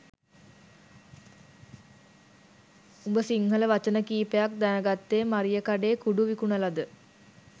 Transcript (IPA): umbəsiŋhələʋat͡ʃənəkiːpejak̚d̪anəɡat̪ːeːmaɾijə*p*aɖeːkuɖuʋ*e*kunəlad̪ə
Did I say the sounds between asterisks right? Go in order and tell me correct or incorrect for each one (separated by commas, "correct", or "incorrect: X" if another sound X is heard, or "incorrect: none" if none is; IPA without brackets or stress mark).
incorrect: k, incorrect: i